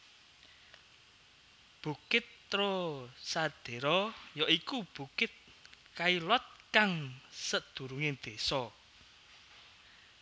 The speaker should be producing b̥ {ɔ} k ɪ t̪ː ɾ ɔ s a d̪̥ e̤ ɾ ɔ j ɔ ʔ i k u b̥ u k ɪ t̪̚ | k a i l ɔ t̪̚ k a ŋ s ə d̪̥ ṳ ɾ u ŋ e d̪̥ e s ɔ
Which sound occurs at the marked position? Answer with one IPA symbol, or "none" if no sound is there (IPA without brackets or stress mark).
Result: u